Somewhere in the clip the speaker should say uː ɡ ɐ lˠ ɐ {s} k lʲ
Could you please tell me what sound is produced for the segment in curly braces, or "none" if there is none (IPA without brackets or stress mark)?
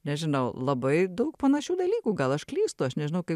ʃ